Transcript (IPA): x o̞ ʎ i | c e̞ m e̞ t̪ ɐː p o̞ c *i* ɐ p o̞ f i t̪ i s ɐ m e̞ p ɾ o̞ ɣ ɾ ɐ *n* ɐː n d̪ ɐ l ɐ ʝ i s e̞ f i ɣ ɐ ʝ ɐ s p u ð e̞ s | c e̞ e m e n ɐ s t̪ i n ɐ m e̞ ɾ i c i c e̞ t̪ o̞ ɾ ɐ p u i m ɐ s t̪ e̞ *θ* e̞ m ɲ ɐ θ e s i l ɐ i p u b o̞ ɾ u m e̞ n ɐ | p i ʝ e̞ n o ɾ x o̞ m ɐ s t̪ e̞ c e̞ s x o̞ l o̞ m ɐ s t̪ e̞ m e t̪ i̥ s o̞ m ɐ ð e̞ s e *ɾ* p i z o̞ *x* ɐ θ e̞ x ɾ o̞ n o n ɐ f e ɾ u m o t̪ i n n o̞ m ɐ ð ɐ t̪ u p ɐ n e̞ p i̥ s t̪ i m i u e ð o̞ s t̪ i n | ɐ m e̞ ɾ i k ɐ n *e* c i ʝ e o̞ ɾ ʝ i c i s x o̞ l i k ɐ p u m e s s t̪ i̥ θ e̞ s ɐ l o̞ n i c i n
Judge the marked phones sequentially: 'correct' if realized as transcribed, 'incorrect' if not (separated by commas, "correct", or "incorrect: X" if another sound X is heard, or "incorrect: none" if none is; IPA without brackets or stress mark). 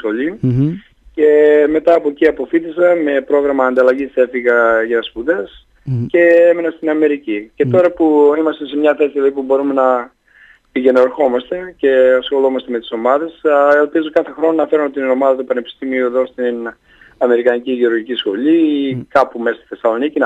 correct, incorrect: m, incorrect: s, incorrect: l, incorrect: k, incorrect: i